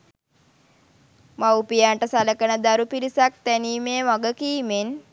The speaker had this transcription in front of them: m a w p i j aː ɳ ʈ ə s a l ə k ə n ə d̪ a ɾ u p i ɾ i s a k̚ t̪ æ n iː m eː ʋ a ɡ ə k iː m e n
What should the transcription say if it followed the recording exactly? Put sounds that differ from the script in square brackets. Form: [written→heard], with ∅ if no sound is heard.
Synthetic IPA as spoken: m a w p i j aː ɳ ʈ ə s a l ə k ə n ə d̪ a ɾ u p i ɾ i s a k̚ t̪ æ n iː m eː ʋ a ɡ ə k iː m e n